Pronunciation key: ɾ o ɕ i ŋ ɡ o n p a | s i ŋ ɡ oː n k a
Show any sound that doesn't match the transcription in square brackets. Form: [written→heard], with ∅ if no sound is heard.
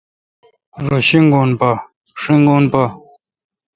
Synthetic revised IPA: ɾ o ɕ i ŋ ɡ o n p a | [s→ʂ] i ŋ ɡ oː n [k→p] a